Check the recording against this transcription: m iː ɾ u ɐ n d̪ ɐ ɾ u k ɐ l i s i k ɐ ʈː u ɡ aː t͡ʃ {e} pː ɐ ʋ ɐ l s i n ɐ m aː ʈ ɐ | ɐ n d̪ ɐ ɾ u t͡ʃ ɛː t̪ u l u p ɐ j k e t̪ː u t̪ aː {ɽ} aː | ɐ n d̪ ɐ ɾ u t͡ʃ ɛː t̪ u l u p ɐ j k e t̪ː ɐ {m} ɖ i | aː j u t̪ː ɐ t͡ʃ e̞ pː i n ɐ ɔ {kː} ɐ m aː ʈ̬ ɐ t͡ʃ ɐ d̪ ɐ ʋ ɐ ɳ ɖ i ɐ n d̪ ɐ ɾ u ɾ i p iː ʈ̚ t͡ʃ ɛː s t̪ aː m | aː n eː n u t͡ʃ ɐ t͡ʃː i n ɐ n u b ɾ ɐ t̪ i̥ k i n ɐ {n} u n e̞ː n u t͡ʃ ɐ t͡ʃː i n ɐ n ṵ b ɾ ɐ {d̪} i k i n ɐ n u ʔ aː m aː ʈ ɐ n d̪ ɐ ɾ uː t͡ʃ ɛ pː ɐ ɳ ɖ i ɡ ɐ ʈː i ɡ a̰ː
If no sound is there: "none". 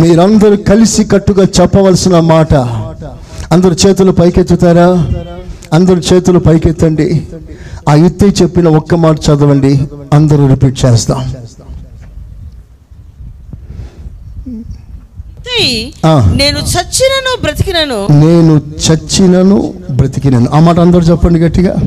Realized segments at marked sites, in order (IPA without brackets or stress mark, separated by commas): ɛ, ɾ, ɳ, kː, n, t̪